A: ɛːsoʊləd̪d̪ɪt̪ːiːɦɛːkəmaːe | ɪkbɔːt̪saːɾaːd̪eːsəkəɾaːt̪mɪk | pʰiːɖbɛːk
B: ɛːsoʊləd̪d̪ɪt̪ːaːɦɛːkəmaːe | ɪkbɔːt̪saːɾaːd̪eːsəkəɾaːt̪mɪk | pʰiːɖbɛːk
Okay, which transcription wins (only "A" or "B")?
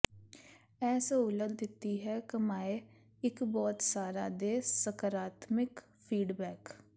A